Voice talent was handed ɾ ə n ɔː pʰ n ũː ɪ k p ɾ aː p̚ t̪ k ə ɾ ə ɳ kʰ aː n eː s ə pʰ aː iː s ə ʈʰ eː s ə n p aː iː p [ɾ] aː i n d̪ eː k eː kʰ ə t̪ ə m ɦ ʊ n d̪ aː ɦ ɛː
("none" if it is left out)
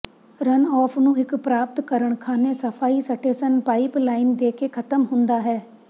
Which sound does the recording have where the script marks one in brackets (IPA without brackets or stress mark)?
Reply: l